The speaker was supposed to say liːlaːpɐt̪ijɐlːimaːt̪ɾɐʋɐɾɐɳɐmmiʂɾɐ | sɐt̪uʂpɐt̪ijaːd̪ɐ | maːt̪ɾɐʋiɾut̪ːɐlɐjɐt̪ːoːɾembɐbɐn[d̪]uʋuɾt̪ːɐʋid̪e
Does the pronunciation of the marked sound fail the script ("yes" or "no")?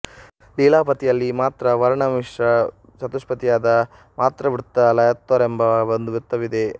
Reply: no